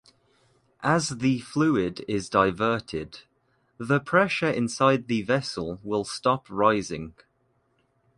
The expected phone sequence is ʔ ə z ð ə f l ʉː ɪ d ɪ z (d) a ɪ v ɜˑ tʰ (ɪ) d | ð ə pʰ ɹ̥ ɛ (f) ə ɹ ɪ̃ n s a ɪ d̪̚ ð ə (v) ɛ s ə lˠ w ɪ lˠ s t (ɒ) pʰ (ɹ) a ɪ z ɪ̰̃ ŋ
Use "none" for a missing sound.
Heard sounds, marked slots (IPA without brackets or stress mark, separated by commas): d, ɪ, ʃ, v, ɒ, ɹ